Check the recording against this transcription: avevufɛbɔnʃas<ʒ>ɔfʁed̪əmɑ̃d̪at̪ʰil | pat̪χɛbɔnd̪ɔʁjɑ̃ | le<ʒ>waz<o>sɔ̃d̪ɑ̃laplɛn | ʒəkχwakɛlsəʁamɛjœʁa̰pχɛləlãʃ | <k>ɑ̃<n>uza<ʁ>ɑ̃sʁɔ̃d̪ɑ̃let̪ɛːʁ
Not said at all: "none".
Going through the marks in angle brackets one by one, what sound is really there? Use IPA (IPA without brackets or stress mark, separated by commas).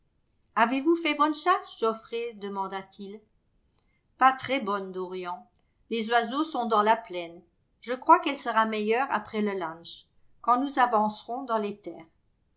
ʒ, z, o, k, n, v